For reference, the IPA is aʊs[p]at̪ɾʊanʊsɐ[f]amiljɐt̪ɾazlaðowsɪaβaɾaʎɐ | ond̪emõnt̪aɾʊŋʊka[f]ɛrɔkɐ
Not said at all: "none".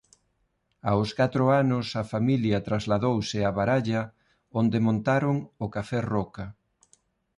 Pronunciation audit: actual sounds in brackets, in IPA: k, f, f

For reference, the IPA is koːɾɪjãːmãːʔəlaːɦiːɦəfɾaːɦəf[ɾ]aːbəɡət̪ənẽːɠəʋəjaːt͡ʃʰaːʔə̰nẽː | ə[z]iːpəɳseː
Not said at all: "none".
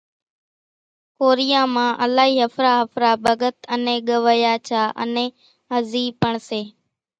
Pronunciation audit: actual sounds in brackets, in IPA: ɾ, z

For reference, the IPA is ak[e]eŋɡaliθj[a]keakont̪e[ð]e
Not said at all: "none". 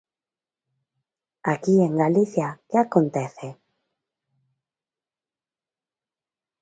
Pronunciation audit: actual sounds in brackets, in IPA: i, a, θ

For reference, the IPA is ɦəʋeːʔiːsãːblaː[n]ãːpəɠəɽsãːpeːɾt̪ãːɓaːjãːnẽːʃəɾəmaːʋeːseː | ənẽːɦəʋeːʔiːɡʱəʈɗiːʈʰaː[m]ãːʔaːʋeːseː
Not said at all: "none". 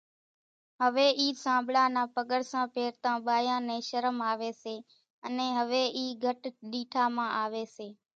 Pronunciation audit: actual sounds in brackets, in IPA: n, m

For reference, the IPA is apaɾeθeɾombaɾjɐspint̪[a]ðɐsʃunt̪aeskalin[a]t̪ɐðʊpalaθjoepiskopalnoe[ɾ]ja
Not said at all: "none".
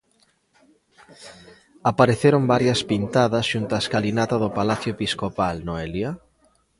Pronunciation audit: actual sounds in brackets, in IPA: a, a, l

